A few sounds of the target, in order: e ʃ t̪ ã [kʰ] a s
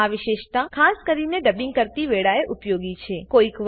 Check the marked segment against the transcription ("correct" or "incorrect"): correct